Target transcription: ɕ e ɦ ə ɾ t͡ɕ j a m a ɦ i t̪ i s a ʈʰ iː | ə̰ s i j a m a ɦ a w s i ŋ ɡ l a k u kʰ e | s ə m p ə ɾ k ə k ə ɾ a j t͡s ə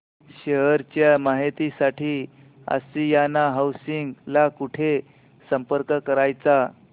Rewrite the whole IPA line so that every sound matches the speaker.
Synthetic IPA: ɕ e ɦ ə ɾ t͡ɕ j a m a ɦ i t̪ i s a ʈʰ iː | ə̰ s i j a n a ɦ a w s i ŋ ɡ l a k u ʈʰ e | s ə m p ə ɾ k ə k ə ɾ a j t͡s a

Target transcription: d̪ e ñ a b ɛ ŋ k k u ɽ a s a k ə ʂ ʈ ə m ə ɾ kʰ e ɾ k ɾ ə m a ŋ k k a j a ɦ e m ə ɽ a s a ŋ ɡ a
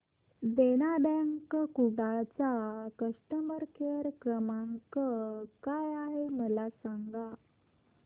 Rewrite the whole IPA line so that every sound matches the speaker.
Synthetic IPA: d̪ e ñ a b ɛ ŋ k k u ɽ a t͡s a k ə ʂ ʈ ə m ə ɾ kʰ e ɾ k ɾ ə m a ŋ k k a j a ɦ e m ə l a s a ŋ ɡ a

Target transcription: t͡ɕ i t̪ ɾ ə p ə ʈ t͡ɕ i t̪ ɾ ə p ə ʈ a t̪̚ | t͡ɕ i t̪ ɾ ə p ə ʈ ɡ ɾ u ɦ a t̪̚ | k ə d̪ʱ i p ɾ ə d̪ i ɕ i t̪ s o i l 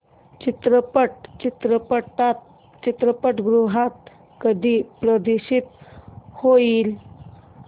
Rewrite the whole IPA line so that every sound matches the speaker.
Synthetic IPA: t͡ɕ i t̪ ɾ ə p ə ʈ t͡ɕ i t̪ ɾ ə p ə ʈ a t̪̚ | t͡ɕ i t̪ ɾ ə p ə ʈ ɡ ɾ u ɦ a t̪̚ | k ə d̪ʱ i p ɾ ə d̪ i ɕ i t̪ h o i l

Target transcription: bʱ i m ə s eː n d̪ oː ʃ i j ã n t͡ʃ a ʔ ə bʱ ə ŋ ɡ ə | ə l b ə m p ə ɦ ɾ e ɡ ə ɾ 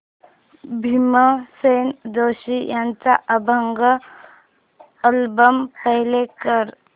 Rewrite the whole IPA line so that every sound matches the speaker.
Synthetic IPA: bʱ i m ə s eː n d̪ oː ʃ i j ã n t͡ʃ a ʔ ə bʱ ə ŋ ɡ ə | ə l b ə m p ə ɦ l e k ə ɾ

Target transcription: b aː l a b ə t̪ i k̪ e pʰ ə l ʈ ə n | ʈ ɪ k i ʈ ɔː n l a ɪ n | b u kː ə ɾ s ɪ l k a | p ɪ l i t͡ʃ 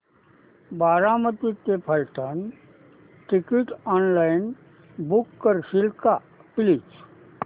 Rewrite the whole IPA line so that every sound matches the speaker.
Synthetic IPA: b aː ɾ a m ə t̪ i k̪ e pʰ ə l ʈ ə n | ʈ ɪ k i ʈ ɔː n l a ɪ n | b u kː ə ɾ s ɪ l k a | p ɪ l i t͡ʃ

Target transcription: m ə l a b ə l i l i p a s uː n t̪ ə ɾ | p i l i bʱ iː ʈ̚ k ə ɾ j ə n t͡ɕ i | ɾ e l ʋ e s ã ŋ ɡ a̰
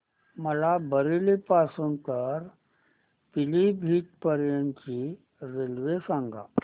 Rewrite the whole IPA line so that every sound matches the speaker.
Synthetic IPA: m ə l a b ə ɾ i l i p a s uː n t̪ ə ɾ | p i l i bʱ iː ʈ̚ p ə ɾ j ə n t͡ɕ i | ɾ e l ʋ e s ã ŋ ɡ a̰

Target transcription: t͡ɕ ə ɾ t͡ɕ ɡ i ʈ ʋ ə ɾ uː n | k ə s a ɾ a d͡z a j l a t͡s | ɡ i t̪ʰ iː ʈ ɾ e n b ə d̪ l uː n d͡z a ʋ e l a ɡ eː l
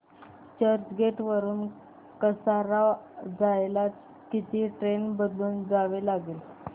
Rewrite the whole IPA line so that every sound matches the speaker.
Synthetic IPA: t͡ɕ ə ɾ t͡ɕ ɡ e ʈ ʋ ə ɾ uː n | k ə s a ɾ a d͡z a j l a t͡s | k i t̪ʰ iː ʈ ɾ e n b ə d̪ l uː n d͡z a ʋ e l a ɡ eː l

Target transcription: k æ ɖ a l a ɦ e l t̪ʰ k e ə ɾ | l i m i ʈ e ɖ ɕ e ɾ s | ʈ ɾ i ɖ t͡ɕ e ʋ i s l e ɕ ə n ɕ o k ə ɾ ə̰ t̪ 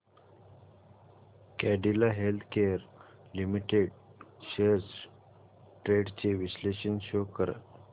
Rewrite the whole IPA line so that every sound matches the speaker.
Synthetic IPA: k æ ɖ i l a ɦ e l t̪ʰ k e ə ɾ | l i m i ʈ e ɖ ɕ e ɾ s | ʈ ɾ e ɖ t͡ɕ e ʋ i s l e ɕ ə n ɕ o k ə ɾ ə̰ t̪

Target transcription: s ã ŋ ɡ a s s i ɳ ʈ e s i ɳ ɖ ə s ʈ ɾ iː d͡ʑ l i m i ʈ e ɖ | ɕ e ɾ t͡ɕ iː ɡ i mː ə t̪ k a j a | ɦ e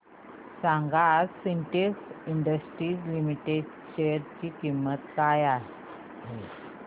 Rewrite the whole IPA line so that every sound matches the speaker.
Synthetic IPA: s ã ŋ ɡ a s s i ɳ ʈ e s i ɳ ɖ ə s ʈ ɾ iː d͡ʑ l i m i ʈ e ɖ | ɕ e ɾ t͡ɕ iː k i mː ə t̪ k a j a | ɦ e

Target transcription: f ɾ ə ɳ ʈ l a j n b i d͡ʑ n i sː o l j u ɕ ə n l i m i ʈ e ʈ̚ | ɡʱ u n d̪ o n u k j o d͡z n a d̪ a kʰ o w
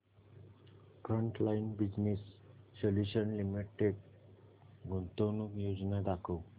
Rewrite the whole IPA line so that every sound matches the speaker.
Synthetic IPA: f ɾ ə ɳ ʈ l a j n b i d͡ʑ n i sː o l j u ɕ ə n l i m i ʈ e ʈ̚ | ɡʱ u n t̪ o n u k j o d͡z n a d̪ a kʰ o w

